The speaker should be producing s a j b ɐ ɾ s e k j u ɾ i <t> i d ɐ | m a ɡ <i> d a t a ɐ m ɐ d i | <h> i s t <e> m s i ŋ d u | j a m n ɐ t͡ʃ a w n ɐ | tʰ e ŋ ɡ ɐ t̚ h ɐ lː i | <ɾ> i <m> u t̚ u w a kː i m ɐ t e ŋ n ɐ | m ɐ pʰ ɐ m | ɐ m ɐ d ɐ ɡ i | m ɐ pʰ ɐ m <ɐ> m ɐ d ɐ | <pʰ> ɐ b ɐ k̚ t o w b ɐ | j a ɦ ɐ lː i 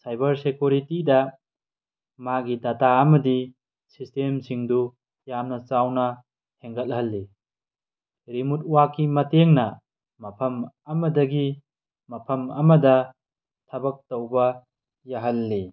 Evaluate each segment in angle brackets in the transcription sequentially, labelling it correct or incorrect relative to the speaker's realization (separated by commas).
correct, correct, incorrect, correct, correct, correct, correct, incorrect